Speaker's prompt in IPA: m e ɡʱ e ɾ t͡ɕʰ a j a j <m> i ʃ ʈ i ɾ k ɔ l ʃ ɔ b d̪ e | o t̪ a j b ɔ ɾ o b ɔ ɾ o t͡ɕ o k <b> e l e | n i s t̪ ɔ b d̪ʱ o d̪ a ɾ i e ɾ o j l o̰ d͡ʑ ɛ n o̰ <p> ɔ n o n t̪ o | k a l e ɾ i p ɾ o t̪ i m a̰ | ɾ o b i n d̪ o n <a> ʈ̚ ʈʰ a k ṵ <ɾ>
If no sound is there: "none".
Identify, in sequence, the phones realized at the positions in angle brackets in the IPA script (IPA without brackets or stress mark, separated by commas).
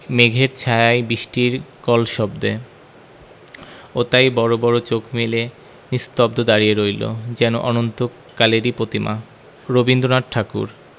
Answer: b, m, ʔ, a, ɾ